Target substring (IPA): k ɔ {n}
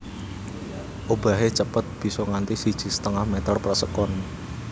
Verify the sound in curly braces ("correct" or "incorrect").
correct